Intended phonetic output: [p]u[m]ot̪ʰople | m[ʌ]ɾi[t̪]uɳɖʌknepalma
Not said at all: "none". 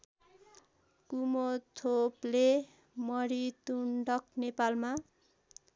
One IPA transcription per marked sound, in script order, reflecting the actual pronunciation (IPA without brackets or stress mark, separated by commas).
k, m, ʌ, t̪